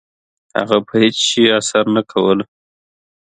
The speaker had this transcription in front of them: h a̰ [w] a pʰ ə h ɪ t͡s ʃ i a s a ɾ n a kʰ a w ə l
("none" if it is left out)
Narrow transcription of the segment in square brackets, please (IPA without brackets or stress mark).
ɣ